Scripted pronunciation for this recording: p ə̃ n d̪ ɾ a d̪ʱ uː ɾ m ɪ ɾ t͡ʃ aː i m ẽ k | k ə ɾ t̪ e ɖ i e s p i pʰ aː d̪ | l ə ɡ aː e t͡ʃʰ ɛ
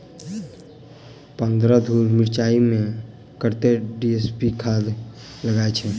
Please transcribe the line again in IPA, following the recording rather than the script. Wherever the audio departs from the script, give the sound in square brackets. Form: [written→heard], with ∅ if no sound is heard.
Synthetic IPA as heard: p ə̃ n d̪ ɾ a d̪ʱ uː ɾ m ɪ ɾ t͡ʃ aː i m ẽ [k→∅] | k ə ɾ t̪ e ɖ i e s p i [pʰ→kʰ] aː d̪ | l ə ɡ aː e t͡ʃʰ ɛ